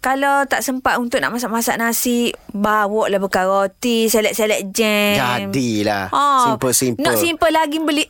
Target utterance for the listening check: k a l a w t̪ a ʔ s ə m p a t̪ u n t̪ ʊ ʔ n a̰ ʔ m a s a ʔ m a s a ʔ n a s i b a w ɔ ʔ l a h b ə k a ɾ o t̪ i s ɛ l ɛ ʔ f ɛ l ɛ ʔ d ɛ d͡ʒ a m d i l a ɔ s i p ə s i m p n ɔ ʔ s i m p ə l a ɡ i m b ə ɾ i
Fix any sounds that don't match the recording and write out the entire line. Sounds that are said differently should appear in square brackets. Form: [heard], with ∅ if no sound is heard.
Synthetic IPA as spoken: k a l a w t̪ a ʔ s ə m p a t̪ u n t̪ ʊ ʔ n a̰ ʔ m a s a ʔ m a s a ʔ n a s i b a w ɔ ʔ l a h b ə k a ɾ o t̪ i s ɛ l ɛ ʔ [s] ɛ l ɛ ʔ [d͡ʒ] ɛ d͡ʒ a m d i l a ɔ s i p ə s i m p n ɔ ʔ s i m p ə l a ɡ i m b ə [l] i